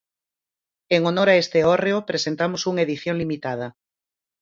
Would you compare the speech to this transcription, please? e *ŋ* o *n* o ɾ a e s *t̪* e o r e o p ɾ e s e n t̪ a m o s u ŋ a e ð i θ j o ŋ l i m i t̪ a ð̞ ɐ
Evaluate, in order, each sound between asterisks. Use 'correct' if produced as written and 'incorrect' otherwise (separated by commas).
correct, correct, correct